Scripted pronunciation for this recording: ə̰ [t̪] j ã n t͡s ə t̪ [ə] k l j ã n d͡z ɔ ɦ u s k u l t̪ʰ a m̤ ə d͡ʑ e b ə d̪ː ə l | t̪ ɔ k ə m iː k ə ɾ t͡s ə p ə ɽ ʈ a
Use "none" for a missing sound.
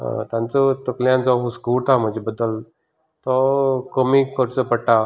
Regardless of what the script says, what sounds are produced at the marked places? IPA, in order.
t̪, ə

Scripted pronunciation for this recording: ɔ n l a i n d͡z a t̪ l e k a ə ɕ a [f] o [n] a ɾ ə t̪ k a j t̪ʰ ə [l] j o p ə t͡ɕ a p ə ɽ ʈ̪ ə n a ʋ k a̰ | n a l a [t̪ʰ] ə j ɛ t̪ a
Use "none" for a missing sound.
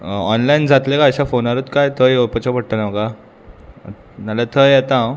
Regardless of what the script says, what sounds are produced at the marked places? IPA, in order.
f, n, none, t̪ʰ

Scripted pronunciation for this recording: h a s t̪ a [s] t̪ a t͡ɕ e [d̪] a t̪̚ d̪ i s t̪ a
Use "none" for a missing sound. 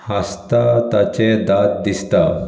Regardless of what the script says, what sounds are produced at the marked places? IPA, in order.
none, d̪

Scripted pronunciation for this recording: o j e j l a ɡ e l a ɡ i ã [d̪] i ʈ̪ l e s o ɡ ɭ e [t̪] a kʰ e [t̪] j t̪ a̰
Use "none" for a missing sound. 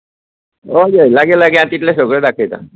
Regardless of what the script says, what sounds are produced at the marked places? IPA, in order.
t̪, d̪, none

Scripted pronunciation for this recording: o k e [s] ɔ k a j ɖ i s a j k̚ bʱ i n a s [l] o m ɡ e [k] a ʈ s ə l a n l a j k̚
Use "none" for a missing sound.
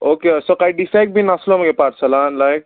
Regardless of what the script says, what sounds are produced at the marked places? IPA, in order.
s, l, p

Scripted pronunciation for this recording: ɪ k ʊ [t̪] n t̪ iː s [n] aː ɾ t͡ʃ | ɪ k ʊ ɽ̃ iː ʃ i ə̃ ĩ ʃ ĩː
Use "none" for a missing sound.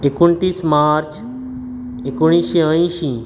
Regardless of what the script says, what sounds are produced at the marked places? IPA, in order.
none, m

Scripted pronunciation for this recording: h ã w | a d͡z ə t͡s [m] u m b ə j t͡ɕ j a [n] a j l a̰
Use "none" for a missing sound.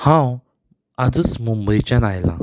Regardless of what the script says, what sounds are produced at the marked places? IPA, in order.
m, n

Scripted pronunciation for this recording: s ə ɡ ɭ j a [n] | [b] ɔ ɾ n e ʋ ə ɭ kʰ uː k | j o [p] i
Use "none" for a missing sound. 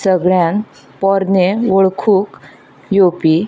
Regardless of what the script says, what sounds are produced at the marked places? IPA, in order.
n, p, p

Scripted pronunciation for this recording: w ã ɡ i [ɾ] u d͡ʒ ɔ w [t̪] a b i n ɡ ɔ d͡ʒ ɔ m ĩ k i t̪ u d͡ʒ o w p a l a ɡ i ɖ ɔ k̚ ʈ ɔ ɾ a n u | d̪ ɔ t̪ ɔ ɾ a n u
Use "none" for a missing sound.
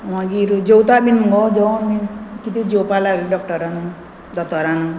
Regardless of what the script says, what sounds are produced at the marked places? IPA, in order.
ɾ, t̪

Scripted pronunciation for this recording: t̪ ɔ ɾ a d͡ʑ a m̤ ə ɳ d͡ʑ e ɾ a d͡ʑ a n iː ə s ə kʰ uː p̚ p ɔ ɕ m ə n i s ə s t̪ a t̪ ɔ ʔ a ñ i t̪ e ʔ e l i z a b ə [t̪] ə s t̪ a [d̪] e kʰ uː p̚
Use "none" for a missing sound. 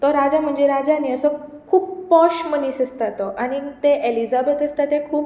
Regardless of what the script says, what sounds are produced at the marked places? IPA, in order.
t̪, t̪

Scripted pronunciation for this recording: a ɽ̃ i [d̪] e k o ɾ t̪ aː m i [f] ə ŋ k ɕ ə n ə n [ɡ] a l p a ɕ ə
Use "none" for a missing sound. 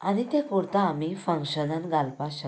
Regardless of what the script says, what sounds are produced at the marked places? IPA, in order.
t̪, f, ɡ

